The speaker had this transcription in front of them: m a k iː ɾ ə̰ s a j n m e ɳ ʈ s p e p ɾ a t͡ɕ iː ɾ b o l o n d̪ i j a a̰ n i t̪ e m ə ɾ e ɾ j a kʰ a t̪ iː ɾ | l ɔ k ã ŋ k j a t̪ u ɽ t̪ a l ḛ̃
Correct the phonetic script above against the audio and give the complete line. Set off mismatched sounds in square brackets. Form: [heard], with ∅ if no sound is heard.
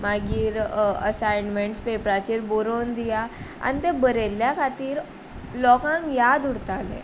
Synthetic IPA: m a [ɡ] iː ɾ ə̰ s a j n m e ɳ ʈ s p e p ɾ a t͡ɕ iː ɾ b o [ɾ] o n d̪ i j a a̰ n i t̪ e [b] ə ɾ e [l] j a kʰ a t̪ iː ɾ | l ɔ k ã ŋ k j a [d̪] u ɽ t̪ a l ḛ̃